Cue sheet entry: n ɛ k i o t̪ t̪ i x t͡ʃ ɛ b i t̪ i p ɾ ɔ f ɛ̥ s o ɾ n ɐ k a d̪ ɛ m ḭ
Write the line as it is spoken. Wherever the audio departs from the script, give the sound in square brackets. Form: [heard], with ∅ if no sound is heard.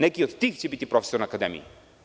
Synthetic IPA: n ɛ k i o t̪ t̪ i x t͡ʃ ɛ b i t̪ i p ɾ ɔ f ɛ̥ s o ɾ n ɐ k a d̪ ɛ m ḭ